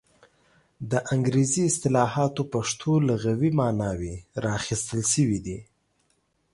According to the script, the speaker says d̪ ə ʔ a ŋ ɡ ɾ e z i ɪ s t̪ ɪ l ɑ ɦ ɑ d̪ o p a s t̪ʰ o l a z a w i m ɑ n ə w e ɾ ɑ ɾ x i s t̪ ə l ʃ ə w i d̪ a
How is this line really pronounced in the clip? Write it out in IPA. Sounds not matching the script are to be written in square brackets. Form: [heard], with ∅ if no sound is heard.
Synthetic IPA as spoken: d̪ ə ʔ a ŋ ɡ ɾ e z i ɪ s t̪ ɪ l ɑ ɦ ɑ [t̪] o p a [ʂ] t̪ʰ o l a [ɣ] a w i m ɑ n [ɑ] w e ɾ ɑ [∅] x i s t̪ ə l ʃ ə w i d̪ [i]